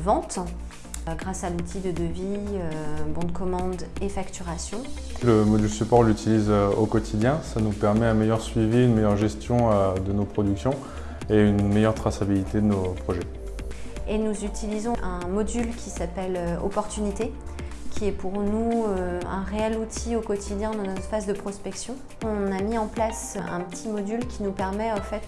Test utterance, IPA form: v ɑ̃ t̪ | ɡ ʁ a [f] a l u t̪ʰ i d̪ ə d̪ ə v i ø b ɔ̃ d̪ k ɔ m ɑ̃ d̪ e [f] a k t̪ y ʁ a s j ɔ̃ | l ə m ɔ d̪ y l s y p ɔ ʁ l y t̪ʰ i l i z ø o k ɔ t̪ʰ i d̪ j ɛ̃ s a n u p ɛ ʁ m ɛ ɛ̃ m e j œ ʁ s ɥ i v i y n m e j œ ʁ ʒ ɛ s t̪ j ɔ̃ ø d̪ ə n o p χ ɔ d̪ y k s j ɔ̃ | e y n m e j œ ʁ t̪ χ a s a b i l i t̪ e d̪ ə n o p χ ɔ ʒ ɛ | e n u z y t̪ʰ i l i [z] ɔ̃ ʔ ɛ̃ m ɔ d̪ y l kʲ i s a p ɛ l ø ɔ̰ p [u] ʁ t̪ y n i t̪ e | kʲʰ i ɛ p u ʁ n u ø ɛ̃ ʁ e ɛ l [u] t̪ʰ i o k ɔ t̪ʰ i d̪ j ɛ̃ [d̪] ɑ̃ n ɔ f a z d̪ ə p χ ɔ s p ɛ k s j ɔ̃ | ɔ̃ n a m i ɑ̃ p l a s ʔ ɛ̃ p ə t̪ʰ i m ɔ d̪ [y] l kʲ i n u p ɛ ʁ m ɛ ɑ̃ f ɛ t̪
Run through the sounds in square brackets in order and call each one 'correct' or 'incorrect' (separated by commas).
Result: incorrect, correct, correct, incorrect, correct, correct, correct